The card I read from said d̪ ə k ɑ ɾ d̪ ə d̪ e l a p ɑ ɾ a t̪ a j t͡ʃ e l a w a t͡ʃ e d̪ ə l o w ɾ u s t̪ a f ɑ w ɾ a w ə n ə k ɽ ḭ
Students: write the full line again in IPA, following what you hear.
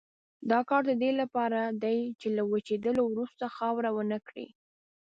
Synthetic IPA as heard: d̪ ɑ k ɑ ɾ d̪ ə d̪ e l a p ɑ ɾ a d̪ a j t͡ʃ e l a w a t͡ʃ e d̪ ə l o w ɾ u s t̪ a x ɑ w ɾ a w ə n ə k ɽ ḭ